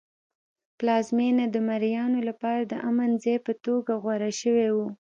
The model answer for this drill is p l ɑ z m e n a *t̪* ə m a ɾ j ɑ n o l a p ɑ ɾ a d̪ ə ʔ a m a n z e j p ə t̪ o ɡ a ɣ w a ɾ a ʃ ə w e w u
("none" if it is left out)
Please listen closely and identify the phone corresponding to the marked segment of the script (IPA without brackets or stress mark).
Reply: d̪